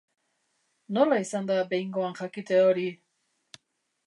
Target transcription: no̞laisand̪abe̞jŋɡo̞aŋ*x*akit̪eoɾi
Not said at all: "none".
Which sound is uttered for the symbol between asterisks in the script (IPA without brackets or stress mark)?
x